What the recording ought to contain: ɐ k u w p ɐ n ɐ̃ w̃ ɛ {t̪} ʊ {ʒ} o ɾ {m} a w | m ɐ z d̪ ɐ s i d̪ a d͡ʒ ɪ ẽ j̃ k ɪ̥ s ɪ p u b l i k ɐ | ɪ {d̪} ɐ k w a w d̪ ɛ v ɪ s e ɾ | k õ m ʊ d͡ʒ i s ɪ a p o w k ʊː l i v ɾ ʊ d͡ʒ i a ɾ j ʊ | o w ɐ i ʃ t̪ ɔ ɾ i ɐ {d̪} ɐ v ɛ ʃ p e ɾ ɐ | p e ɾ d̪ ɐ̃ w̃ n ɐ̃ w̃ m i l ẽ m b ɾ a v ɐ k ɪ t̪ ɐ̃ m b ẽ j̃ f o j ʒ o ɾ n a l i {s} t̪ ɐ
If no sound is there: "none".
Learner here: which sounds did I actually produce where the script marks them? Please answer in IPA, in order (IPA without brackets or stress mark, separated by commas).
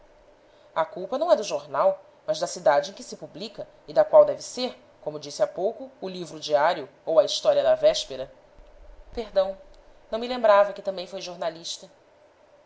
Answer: d̪, ʒ, n, d̪, d̪, ʃ